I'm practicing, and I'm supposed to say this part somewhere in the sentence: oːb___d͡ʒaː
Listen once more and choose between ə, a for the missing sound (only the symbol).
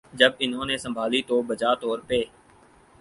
ə